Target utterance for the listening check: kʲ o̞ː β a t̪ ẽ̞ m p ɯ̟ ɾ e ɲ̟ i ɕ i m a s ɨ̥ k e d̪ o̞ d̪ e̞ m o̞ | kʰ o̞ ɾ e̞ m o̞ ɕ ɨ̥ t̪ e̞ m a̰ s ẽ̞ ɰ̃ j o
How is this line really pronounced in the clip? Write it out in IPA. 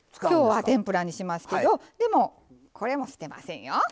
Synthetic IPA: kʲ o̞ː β a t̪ ẽ̞ m p ɯ̟ ɾ a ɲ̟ i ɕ i m a s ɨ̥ k e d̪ o̞ d̪ e̞ m o̞ | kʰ o̞ ɾ e̞ m o̞ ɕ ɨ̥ t̪ e̞ m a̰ s ẽ̞ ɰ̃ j o